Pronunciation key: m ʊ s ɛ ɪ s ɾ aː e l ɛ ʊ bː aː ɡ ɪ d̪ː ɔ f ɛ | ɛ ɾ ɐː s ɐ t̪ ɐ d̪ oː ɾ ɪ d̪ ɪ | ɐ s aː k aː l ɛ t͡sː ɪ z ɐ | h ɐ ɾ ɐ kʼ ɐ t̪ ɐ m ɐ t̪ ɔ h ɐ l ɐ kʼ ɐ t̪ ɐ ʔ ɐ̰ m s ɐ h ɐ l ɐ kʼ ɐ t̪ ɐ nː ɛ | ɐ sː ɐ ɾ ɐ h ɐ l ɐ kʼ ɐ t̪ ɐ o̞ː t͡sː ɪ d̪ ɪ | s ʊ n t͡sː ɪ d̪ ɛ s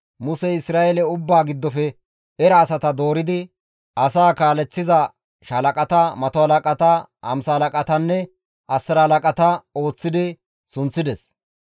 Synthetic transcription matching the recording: m ʊ s ɛ ɪ s ɾ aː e l ɛ ʊ bː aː ɡ ɪ d̪ː ɔ f ɛ | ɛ ɾ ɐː s ɐ t̪ ɐ d̪ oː ɾ ɪ d̪ ɪ | ɐ s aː k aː l ɛ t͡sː ɪ z ɐ | ʃ ɐ l ɐ kʼ ɐ t̪ ɐ m ɐ t̪ ɔ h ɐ l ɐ kʼ ɐ t̪ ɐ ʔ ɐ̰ m s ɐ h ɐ l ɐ kʼ ɐ t̪ ɐ nː ɛ | ɐ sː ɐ ɾ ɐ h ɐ l ɐ kʼ ɐ t̪ ɐ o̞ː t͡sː ɪ d̪ ɪ | s ʊ n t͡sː ɪ d̪ ɛ s